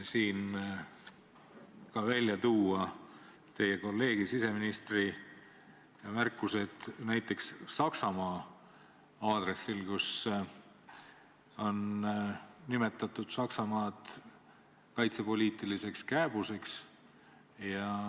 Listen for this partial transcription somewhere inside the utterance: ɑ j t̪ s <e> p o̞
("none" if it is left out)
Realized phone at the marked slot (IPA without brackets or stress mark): e